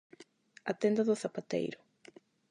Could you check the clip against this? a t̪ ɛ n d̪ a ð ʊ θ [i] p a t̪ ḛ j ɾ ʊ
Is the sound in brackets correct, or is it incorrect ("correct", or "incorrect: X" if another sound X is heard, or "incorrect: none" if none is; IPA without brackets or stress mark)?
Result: incorrect: a